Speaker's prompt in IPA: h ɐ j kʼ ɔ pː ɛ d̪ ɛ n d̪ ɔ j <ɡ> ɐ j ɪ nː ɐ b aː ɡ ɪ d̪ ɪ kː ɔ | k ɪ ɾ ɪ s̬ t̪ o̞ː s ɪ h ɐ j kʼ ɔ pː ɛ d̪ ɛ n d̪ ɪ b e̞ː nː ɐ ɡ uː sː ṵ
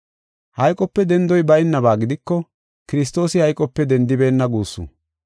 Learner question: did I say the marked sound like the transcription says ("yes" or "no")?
no